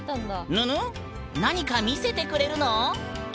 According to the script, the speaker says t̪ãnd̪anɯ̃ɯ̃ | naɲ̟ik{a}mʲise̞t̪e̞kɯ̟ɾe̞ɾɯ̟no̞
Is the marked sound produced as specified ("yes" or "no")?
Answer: yes